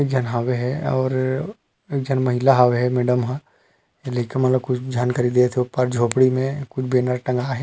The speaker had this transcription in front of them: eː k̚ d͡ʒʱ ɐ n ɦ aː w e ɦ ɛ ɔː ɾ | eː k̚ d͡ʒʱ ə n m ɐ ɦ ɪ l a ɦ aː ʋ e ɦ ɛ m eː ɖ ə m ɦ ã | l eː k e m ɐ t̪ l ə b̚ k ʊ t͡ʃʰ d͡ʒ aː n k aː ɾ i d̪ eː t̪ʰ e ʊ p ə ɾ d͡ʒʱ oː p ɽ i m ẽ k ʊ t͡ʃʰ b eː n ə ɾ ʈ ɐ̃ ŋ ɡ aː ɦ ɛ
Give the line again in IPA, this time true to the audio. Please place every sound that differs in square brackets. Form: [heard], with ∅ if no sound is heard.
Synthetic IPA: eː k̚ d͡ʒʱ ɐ n ɦ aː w e ɦ ɛ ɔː ɾ | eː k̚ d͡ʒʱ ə n m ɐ ɦ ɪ l a ɦ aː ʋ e ɦ ɛ m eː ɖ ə m ɦ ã | l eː k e m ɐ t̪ l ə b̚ k ʊ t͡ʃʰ d͡ʒ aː n k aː ɾ i d̪ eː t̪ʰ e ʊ p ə ɾ d͡ʒʱ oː p ɽ i m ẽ k ʊ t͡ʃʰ b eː n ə ɾ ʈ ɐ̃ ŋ ɡ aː ɦ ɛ